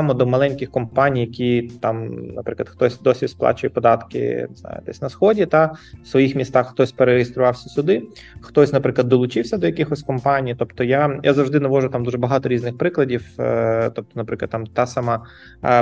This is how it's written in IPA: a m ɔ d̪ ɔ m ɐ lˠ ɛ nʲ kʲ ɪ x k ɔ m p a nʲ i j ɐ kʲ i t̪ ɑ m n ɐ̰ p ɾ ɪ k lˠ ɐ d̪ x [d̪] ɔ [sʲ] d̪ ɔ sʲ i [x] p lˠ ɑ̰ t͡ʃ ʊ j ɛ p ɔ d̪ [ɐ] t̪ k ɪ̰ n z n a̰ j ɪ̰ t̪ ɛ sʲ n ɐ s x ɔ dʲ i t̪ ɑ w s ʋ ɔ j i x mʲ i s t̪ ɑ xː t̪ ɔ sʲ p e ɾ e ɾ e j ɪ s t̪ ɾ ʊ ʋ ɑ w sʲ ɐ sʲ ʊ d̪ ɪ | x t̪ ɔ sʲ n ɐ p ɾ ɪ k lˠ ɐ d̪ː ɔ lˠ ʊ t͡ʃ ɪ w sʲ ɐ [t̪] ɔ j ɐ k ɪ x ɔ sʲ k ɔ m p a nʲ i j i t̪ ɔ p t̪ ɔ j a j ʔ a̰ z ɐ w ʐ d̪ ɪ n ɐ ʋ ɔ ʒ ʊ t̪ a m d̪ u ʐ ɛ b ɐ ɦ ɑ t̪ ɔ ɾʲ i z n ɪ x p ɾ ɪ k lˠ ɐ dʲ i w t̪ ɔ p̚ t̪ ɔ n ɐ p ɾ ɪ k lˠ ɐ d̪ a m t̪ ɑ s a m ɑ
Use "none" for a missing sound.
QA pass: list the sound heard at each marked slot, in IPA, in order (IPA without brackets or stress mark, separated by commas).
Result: t̪, sʲ, s, ɑ, d̪